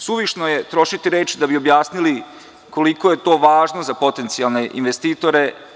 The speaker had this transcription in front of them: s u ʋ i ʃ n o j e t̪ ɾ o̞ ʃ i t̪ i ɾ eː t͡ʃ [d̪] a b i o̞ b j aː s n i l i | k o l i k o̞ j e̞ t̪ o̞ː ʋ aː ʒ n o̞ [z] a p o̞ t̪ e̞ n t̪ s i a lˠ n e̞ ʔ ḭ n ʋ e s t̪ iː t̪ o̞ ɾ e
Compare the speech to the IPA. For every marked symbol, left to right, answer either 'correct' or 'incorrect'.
correct, correct

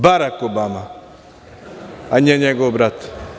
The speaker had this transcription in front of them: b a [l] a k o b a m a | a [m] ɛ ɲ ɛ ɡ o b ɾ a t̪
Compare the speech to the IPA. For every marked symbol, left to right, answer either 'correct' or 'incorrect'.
incorrect: ɾ, incorrect: ɲ

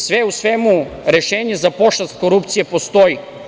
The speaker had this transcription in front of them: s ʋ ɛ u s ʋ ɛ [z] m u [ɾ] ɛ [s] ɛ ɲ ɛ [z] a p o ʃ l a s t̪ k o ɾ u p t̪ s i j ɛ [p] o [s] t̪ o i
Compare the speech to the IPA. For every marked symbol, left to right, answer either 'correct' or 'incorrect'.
incorrect: none, correct, incorrect: ʃ, correct, correct, correct

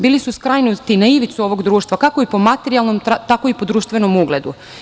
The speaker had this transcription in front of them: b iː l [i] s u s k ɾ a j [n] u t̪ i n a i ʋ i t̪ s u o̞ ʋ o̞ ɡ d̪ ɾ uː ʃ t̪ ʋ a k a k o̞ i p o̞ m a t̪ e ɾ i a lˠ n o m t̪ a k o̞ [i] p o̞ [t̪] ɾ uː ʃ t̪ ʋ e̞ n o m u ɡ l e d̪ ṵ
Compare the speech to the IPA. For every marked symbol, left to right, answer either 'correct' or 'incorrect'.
correct, correct, correct, incorrect: d̪

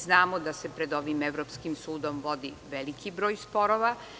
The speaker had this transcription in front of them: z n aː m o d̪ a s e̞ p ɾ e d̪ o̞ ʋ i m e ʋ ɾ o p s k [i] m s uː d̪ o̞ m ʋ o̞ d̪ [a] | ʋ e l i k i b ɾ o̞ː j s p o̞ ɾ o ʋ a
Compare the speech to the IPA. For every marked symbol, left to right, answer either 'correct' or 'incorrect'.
correct, incorrect: i

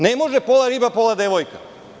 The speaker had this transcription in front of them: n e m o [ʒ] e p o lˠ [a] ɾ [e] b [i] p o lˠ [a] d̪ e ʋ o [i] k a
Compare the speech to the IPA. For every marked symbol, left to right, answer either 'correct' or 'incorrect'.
correct, correct, incorrect: i, incorrect: a, correct, incorrect: j

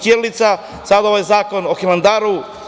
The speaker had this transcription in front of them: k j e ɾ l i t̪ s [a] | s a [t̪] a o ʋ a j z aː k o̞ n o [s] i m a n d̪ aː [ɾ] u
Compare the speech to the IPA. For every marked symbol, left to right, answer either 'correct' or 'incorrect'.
correct, incorrect: d̪, incorrect: x, correct

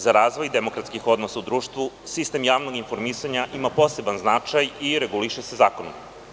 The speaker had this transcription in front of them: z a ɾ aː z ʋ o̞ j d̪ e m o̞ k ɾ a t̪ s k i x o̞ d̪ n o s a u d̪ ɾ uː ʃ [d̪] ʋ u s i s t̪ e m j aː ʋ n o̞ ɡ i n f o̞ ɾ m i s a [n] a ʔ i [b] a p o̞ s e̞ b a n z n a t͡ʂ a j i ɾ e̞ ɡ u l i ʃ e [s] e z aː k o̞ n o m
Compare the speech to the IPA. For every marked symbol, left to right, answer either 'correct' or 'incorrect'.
incorrect: t̪, incorrect: ɲ, incorrect: m, correct

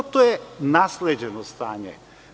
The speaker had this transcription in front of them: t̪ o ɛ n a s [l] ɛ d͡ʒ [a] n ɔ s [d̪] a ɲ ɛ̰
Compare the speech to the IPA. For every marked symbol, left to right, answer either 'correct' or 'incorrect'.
correct, incorrect: ɛ, incorrect: t̪

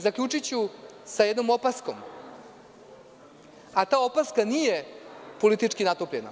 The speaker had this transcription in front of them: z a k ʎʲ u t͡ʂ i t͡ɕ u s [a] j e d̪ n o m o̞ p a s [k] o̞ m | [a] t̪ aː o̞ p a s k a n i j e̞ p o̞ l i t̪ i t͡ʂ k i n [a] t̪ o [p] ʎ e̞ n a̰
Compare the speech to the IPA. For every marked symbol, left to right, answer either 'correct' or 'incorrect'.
correct, correct, correct, correct, correct

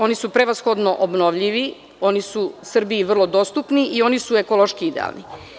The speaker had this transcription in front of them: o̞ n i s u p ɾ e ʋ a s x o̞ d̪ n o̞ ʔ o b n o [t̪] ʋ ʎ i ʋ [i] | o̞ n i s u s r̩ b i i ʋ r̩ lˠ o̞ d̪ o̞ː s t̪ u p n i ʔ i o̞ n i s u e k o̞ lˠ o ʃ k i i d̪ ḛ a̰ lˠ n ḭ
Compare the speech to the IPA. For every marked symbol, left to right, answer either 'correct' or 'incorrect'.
incorrect: none, correct

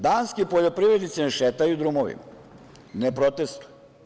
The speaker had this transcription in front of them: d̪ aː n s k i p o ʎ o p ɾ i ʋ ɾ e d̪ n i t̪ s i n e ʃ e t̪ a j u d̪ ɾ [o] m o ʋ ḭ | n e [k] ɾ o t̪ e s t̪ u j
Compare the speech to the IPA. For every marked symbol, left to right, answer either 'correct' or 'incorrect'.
incorrect: u, incorrect: p

